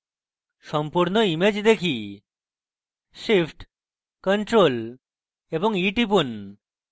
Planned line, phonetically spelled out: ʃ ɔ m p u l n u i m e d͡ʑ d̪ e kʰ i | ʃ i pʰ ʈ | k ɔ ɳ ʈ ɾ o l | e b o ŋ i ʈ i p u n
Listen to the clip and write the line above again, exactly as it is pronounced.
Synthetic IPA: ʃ ɔ m p u ɾ n o i m e d͡ʑ d̪ e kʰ i | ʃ i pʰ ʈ | k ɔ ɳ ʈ ɾ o l | e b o ŋ i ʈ i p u n